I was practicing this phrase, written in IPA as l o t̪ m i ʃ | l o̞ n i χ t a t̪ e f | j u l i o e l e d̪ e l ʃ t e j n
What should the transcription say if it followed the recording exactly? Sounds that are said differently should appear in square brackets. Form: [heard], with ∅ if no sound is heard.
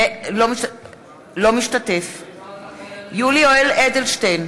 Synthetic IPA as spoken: l o [∅] m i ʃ | l o̞ [m] i [ʃ] t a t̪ e f | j u l i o e l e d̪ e l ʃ t e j n